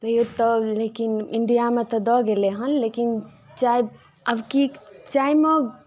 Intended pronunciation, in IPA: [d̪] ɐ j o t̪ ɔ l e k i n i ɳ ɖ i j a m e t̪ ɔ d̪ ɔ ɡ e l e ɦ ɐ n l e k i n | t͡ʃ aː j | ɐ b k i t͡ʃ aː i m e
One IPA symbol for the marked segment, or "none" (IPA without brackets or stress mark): t̪